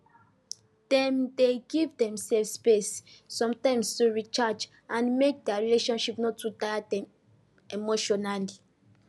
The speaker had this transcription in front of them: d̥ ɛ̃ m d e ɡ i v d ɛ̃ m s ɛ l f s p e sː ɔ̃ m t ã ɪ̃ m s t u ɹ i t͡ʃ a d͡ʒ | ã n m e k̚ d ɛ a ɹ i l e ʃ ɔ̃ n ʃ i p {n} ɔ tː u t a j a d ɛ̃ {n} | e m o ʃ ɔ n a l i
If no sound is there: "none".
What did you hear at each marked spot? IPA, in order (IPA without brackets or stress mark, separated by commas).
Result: n, m